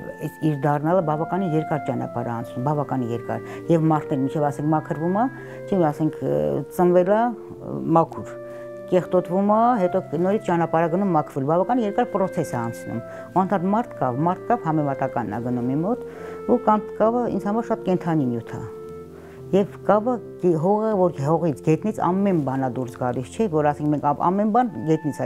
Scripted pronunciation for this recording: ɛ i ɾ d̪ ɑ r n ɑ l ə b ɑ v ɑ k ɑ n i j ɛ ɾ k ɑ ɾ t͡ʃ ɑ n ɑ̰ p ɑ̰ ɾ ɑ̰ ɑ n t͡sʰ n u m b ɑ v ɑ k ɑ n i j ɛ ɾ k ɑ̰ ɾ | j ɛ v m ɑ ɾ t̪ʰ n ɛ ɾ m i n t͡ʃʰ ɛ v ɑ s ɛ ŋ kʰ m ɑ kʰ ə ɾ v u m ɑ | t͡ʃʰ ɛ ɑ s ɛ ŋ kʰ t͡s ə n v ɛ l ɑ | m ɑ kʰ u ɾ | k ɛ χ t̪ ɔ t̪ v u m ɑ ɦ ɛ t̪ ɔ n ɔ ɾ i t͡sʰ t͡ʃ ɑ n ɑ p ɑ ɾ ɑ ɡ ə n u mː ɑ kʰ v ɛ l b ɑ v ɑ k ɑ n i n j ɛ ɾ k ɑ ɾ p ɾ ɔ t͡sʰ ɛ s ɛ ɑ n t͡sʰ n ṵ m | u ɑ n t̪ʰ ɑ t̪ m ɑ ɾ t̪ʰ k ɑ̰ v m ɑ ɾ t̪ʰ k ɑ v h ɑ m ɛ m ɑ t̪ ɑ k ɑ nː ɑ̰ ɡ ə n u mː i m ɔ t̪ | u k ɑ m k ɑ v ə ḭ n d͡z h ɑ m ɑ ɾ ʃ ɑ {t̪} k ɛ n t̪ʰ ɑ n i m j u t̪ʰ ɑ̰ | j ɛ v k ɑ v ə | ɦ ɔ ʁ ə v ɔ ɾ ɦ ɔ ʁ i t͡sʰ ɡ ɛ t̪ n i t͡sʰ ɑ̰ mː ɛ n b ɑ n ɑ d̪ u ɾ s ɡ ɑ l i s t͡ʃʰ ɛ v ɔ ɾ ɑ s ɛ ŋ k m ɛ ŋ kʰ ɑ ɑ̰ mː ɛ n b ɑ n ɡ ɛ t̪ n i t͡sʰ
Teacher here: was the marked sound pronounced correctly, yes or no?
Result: yes